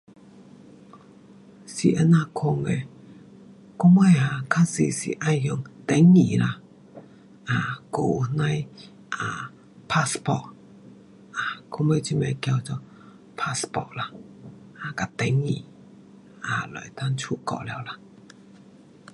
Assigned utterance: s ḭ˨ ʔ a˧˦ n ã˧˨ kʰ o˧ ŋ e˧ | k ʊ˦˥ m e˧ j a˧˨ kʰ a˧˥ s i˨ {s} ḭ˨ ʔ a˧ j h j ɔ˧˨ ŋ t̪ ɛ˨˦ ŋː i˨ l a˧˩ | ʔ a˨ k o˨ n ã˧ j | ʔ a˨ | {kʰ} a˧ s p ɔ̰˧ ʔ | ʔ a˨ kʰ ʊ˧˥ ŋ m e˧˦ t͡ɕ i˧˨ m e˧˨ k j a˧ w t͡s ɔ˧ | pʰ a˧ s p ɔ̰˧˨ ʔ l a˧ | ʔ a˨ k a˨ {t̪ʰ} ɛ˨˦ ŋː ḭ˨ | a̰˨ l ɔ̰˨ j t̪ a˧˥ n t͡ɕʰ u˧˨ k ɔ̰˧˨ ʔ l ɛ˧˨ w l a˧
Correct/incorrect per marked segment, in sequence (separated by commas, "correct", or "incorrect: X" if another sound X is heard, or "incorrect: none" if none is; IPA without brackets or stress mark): correct, incorrect: pʰ, incorrect: t̪